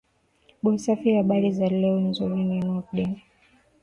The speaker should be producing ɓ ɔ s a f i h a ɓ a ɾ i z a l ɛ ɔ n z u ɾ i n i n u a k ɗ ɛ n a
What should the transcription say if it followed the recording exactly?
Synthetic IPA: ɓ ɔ s a f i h a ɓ a ɾ i z a l ɛ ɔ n z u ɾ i n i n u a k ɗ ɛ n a

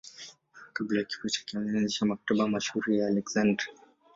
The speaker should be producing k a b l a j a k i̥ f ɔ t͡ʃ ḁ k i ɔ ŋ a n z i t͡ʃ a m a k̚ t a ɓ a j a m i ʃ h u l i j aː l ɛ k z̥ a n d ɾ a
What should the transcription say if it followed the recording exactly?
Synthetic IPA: k a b l a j a k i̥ f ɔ t͡ʃ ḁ k i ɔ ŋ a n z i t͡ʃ a m a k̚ t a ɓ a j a m a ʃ h u ɾ i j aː l ɛ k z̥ a n d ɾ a

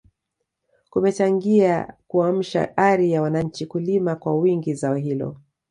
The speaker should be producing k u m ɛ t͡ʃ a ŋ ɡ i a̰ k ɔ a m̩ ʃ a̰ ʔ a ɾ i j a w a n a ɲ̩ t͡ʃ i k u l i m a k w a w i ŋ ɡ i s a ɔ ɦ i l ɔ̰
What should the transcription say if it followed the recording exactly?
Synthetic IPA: k u m ɛ t͡ʃ a ŋ ɡ i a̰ k u a m̩ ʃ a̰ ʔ a ɾ i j a w a n a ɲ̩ t͡ʃ i k u l i m a k w a w i ŋ ɡ i z a ɔ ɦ i l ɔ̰

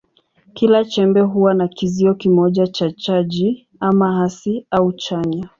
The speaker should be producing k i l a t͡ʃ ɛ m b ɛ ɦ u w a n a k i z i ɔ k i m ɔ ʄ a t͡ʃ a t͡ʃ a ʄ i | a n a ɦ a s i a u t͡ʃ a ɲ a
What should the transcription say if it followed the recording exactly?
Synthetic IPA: k i l a t͡ʃ ɛ m b ɛ ɦ u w a n a k i z i ɔ k i m ɔ ʄ a t͡ʃ a t͡ʃ a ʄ i | a m a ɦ a s i a u t͡ʃ a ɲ a

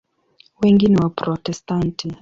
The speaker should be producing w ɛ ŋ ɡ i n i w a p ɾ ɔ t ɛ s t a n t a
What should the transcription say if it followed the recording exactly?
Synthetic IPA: w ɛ ŋ ɡ i n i w a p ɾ ɔ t ɛ s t a n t i

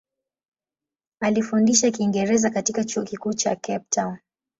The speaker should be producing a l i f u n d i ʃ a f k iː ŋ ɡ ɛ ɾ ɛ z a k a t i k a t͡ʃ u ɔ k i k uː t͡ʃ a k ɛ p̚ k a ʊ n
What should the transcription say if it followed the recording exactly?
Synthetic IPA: a l i f u n d i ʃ a k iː ŋ ɡ ɛ ɾ ɛ z a k a t i k a t͡ʃ u ɔ k i k uː t͡ʃ a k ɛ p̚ t a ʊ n

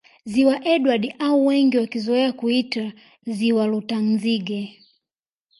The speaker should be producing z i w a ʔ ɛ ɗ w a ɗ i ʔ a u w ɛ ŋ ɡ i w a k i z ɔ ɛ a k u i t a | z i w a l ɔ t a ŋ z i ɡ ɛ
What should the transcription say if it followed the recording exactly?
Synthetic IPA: z i w a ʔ ɛ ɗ w a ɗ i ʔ a u w ɛ ŋ ɡ i w a k i z ɔ ɛ a k u i t a | z i w a l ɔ t a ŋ z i ɡ ɛ

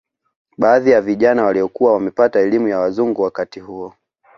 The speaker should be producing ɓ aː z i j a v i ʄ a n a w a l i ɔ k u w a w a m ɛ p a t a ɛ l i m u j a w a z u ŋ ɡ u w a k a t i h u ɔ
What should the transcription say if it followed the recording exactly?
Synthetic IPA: ɓ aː ð i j a v i ʄ a n a w a l i ɔ k u w a w a m ɛ p a t a ɛ l i m u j a w a z u ŋ ɡ u w a k a t i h u ɔ

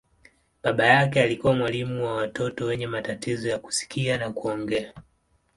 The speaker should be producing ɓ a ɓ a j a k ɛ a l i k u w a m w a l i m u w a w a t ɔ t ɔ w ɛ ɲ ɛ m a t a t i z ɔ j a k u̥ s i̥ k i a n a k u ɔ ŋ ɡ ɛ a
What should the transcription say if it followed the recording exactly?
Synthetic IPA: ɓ a ɓ a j a k ɛ a l i k u w a m w a l i m u w a w a t ɔ t ɔ w ɛ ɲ ɛ m a t a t i z ɔ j a k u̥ s i̥ k i a n a k u ɔ ŋ ɡ ɛ a

